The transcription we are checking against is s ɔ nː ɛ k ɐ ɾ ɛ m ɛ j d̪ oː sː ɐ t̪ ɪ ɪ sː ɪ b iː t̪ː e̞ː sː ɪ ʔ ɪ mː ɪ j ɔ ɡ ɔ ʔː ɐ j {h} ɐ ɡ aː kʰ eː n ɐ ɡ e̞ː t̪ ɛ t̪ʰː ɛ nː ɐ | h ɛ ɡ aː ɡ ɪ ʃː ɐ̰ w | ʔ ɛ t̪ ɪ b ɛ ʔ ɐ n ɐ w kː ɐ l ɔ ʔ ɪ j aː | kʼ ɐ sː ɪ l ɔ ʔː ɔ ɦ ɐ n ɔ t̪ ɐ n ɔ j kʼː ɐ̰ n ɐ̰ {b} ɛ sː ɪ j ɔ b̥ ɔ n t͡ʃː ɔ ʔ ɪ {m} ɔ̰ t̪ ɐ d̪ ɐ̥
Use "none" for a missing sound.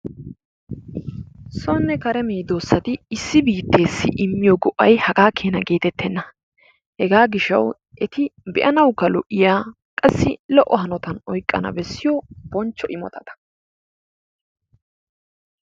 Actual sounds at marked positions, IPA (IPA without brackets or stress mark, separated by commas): h, b, m